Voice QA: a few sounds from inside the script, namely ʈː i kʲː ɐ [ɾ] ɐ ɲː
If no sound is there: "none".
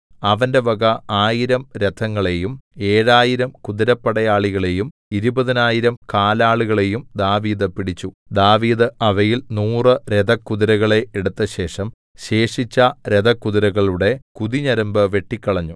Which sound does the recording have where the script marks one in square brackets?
ɭ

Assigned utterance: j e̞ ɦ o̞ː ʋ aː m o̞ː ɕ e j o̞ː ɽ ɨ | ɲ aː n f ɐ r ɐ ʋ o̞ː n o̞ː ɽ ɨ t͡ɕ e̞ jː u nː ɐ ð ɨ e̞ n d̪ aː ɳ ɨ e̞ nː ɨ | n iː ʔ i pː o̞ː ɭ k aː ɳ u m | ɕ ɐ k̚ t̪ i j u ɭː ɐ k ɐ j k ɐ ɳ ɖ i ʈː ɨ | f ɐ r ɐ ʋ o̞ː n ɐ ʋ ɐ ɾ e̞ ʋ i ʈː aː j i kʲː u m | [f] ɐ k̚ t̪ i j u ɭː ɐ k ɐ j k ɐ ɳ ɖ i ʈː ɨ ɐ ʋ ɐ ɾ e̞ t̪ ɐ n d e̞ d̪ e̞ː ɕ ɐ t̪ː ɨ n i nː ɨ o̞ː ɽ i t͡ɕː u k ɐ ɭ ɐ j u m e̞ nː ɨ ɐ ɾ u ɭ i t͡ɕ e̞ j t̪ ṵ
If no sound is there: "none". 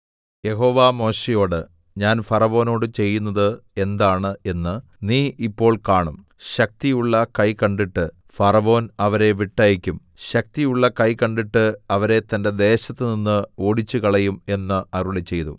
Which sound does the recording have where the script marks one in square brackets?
ɕ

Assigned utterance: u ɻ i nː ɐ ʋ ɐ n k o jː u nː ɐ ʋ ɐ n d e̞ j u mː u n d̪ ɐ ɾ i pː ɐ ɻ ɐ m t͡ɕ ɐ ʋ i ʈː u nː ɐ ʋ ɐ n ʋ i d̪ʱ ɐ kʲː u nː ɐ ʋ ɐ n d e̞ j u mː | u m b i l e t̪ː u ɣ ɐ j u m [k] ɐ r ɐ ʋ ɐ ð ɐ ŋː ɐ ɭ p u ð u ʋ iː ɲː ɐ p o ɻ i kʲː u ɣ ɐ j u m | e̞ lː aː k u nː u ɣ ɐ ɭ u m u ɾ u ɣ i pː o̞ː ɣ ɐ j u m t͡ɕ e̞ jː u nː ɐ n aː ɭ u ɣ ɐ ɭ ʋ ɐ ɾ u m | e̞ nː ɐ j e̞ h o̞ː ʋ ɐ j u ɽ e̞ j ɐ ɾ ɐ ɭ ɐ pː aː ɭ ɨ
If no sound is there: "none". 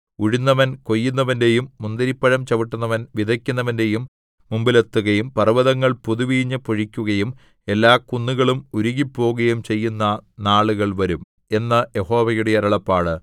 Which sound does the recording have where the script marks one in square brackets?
p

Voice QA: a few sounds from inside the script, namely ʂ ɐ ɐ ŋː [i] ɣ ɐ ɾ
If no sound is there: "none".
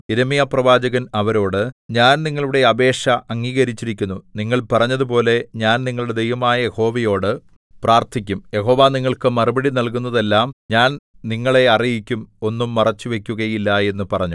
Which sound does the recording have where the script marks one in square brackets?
iː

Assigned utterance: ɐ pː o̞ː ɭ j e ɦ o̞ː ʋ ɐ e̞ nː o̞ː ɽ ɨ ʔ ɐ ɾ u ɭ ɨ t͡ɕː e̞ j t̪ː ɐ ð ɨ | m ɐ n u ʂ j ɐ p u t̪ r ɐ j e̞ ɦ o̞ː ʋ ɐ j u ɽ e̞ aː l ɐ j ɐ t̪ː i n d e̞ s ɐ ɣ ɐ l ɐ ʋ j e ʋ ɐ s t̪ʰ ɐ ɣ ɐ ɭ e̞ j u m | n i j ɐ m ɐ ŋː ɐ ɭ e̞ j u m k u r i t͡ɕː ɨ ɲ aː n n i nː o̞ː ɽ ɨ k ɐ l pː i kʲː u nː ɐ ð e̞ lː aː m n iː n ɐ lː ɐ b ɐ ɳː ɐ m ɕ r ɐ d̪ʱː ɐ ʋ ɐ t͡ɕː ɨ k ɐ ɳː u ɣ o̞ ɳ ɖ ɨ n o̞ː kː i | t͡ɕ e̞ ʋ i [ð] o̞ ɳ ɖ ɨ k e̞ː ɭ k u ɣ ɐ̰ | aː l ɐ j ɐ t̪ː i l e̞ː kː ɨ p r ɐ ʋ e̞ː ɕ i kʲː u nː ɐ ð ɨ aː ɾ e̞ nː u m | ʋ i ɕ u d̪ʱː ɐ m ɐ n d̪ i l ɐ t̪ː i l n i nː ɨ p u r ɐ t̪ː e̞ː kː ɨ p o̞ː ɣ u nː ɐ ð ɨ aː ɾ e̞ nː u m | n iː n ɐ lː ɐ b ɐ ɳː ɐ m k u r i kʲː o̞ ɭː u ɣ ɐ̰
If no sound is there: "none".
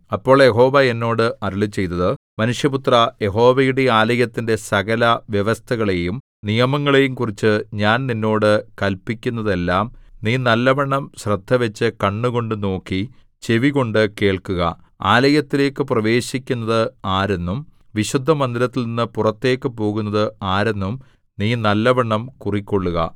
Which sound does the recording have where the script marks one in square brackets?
ɣ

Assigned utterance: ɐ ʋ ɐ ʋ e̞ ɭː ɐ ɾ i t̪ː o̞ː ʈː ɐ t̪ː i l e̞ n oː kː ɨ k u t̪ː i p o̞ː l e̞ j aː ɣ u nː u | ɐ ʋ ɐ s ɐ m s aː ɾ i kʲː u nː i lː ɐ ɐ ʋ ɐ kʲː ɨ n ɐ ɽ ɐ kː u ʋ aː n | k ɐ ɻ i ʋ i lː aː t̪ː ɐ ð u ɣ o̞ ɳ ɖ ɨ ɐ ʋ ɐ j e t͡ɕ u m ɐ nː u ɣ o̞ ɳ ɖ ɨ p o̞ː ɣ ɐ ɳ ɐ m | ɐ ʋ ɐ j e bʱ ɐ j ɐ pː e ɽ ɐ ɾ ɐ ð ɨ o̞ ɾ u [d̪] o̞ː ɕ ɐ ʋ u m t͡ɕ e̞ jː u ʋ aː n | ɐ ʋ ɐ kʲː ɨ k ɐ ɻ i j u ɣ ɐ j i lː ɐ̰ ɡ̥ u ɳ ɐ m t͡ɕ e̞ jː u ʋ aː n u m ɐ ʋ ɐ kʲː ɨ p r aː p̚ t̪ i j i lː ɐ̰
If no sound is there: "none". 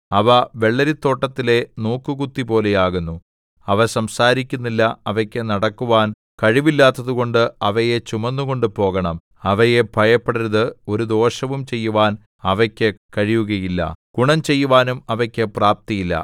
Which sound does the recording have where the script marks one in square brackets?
d̪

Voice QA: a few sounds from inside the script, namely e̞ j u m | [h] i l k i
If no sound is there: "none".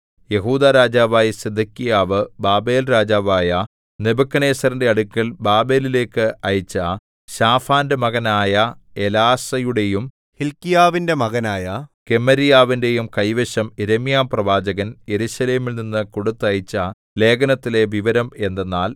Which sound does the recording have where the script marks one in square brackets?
h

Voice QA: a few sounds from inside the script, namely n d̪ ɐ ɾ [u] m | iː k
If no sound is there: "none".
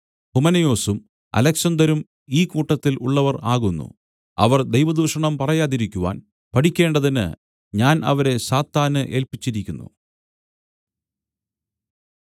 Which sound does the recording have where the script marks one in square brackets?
u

